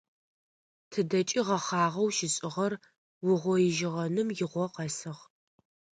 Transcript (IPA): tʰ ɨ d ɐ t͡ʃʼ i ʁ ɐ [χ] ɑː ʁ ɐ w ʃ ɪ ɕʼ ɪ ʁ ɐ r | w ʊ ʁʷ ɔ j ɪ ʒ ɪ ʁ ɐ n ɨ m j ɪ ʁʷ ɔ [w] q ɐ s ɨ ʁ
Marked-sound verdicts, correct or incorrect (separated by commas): correct, incorrect